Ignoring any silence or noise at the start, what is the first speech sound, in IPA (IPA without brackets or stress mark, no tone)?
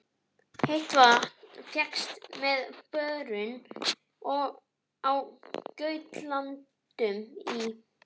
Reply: h